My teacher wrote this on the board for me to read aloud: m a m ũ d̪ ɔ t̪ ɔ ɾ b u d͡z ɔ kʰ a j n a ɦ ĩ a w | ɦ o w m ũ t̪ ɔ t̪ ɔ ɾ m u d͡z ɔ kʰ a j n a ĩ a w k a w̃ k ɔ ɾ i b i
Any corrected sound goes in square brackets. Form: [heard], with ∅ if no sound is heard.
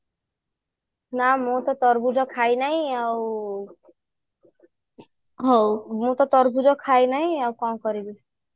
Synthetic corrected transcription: [n] a m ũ [t̪] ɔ t̪ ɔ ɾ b u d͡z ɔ kʰ a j n a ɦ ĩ a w | ɦ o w m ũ t̪ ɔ t̪ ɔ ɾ [b] u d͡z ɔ kʰ a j n a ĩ a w k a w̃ k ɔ ɾ i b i